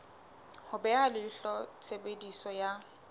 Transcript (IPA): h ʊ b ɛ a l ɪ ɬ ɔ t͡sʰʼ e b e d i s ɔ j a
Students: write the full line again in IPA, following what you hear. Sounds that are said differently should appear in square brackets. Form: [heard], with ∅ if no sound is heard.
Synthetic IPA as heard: h ʊ b ɛ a l ɪ ɬ ɔ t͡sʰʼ e b e d i s ɔ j a